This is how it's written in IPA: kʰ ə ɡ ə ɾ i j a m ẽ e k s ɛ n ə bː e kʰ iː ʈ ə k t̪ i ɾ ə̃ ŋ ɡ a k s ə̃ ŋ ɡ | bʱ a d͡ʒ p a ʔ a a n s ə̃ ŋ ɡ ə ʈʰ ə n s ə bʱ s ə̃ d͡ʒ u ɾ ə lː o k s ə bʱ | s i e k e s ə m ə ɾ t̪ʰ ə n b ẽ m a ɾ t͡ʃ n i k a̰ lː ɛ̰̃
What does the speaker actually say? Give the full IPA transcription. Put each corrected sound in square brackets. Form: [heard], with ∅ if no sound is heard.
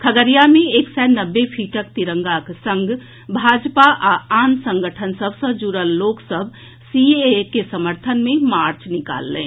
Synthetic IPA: kʰ ə ɡ ə ɾ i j a m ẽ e k s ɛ n ə bː e [pʰ] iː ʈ ə k t̪ i ɾ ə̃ ŋ ɡ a k s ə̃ ŋ ɡ | bʱ a d͡ʒ p a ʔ a a n s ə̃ ŋ ɡ ə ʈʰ ə n s ə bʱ s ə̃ d͡ʒ u ɾ ə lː o k s ə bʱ | s i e k e s ə m ə ɾ t̪ʰ ə n [m] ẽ m a ɾ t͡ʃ n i k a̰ lː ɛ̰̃